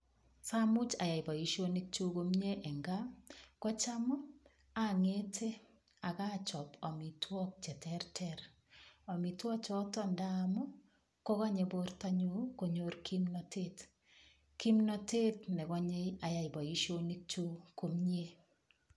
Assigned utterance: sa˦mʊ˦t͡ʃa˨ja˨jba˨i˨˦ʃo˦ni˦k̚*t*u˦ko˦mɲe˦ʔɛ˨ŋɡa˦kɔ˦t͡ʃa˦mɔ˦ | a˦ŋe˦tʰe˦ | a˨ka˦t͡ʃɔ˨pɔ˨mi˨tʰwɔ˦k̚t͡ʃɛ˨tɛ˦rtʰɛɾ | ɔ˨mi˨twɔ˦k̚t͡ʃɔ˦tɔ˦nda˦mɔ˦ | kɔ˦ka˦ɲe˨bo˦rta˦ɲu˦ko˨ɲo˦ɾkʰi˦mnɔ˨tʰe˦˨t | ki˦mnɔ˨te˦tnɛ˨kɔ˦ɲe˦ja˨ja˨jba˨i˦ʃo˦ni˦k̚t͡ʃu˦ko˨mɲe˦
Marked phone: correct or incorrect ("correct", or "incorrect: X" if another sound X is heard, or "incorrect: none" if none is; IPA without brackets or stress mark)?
incorrect: t͡ʃ